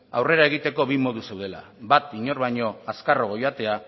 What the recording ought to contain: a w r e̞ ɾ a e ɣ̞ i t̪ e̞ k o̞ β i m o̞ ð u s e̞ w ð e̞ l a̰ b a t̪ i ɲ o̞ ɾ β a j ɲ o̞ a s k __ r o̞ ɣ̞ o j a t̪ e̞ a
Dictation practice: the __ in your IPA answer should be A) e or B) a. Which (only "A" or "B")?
B